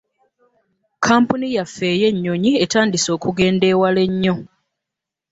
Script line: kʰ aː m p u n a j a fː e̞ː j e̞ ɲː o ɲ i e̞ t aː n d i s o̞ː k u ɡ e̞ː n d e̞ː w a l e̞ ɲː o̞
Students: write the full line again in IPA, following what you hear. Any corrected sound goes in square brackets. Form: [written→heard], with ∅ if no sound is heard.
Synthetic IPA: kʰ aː m p u n [a→i] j a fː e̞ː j e̞ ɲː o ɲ i e̞ t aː n d i s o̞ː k u ɡ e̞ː n d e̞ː w a l e̞ ɲː o̞